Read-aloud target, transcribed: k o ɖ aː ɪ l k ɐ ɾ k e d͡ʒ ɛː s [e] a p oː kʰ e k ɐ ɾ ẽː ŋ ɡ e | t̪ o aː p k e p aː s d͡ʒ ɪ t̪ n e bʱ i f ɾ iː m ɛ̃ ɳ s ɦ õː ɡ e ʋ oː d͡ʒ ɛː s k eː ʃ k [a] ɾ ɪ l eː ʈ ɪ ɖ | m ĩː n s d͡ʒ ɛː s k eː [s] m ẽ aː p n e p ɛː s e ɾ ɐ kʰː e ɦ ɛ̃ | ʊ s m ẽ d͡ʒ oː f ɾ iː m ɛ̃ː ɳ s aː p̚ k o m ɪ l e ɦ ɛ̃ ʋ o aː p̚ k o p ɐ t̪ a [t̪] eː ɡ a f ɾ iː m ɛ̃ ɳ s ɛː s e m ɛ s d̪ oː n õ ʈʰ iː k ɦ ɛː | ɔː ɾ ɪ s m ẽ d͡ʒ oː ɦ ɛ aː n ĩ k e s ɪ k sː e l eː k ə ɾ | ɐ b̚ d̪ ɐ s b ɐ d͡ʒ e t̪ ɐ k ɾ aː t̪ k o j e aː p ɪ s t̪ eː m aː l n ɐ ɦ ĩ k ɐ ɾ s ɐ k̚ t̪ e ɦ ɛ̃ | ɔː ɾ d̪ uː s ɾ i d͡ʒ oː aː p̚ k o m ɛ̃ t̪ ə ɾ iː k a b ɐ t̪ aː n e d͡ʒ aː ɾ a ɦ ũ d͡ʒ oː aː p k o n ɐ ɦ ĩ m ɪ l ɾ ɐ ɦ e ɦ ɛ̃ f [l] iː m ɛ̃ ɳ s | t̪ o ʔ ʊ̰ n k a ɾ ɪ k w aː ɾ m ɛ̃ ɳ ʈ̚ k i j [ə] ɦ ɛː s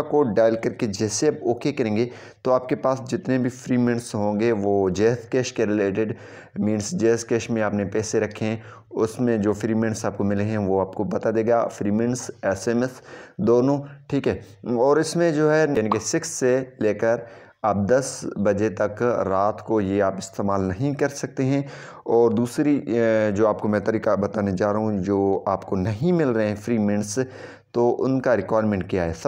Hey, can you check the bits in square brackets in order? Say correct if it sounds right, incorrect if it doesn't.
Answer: correct, incorrect: e, incorrect: ʃ, incorrect: d̪, incorrect: ɾ, incorrect: a

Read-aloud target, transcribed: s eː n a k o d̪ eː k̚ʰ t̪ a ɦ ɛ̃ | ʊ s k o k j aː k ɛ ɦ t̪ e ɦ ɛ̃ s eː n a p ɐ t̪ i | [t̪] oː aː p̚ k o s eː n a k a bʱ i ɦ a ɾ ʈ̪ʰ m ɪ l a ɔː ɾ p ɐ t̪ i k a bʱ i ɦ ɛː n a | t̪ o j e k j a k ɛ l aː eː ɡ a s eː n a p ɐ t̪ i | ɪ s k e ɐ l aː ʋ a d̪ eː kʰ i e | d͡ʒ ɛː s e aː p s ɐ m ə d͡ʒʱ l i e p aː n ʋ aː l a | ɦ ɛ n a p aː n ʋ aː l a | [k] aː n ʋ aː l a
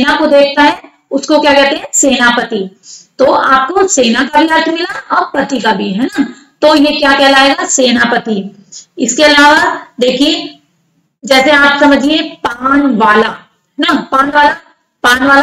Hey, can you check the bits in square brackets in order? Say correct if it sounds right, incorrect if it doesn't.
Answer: correct, incorrect: p

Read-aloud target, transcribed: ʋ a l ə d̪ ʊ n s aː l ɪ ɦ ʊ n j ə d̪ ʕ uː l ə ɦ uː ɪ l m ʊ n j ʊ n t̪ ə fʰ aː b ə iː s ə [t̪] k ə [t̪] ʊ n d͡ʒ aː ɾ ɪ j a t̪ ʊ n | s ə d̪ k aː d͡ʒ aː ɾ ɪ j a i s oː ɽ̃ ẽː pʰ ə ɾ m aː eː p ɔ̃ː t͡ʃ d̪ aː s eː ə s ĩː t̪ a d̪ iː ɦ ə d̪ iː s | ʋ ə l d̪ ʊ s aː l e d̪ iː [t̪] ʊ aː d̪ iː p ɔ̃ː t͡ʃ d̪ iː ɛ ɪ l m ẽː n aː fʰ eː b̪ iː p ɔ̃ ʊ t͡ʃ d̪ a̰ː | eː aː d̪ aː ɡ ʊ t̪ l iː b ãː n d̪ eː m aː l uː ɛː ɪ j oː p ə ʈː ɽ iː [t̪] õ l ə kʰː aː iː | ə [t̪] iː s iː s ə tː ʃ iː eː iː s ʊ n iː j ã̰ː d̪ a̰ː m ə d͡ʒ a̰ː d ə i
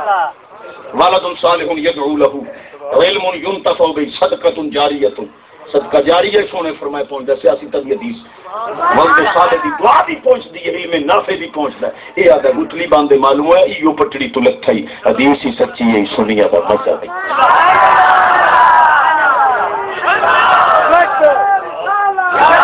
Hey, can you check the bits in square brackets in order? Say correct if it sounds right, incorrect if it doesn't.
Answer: incorrect: d̪, correct, incorrect: d̪, correct, incorrect: d̪

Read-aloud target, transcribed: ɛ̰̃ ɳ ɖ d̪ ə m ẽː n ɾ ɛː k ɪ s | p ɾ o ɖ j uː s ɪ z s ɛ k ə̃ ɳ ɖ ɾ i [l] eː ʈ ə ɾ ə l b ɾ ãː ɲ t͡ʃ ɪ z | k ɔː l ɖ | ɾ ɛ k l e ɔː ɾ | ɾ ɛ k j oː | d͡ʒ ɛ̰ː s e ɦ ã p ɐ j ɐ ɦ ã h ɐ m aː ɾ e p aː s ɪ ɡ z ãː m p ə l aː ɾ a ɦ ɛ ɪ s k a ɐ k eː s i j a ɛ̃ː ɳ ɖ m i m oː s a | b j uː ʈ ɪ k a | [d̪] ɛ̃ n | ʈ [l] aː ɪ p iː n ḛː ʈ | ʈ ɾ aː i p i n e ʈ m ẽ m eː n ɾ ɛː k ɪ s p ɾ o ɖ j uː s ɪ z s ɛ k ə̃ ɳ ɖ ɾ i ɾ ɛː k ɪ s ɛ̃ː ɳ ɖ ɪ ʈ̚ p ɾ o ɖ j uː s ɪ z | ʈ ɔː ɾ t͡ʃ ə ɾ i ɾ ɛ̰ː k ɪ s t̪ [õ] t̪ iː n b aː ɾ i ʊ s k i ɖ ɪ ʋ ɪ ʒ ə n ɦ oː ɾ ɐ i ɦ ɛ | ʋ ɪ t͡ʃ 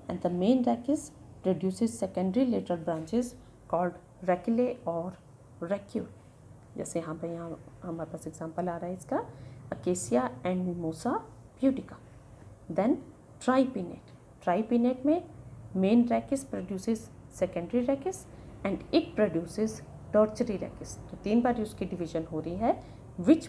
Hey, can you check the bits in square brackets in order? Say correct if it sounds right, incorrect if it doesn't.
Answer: correct, correct, incorrect: ɾ, incorrect: o

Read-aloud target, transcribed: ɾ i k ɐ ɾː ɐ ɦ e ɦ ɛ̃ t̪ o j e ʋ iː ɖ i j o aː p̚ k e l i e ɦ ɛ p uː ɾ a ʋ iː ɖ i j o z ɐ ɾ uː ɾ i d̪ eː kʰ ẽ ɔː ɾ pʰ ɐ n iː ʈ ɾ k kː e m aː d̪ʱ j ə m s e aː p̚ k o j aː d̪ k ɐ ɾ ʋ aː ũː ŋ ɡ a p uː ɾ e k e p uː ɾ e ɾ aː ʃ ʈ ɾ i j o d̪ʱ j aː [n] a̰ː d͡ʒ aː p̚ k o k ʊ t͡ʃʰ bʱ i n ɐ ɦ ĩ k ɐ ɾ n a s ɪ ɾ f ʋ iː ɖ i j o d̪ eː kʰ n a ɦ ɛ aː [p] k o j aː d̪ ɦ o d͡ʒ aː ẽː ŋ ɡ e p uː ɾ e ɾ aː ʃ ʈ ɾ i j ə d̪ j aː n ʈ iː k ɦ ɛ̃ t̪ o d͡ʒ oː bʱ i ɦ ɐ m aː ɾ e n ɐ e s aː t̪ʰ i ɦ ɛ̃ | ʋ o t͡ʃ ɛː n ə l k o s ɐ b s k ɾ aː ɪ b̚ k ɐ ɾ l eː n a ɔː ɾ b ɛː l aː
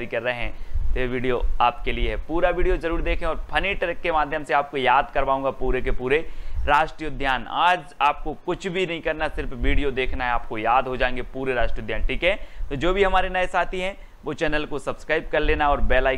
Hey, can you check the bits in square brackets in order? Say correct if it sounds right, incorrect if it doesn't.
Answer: correct, correct

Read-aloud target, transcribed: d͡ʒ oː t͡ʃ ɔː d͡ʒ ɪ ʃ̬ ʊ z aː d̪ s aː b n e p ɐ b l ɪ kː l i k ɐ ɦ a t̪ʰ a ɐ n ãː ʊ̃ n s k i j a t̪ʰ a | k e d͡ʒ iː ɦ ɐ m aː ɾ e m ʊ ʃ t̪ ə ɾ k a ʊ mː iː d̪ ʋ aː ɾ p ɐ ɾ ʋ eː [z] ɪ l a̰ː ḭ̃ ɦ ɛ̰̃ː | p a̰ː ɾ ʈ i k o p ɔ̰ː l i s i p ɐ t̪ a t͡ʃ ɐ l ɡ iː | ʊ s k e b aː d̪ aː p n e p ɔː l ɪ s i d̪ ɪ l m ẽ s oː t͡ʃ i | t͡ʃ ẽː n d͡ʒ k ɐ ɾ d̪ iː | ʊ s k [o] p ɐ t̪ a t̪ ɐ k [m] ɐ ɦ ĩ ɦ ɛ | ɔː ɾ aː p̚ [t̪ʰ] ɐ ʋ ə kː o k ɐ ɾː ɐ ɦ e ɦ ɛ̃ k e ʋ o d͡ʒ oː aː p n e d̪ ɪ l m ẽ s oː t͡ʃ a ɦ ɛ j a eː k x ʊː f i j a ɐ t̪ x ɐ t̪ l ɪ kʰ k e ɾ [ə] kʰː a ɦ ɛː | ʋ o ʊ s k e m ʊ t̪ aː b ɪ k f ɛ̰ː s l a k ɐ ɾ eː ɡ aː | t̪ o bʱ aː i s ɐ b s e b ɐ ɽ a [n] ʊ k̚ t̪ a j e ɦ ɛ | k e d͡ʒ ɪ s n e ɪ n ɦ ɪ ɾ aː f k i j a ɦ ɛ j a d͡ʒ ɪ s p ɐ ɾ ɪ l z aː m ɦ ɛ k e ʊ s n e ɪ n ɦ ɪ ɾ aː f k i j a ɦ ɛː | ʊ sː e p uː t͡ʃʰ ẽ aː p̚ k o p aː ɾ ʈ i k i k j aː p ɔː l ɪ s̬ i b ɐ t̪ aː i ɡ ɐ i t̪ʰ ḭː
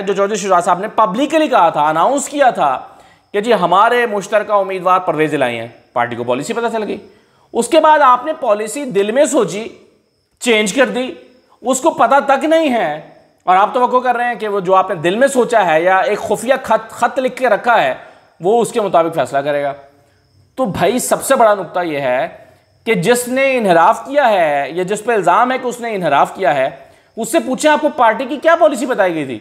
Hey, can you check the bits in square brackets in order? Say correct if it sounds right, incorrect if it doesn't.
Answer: correct, correct, incorrect: n, incorrect: t̪, incorrect: ɐ, correct

